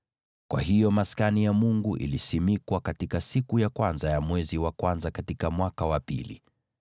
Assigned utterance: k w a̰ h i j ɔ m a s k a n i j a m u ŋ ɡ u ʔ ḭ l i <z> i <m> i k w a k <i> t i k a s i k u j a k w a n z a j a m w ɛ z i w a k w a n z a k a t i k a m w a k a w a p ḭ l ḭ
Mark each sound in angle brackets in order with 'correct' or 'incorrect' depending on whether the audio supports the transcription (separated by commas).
incorrect, correct, incorrect